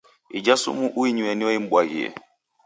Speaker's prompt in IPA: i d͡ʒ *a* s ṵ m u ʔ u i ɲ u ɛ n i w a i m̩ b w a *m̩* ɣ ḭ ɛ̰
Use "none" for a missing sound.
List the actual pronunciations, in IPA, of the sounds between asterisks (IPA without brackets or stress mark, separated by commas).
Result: a, none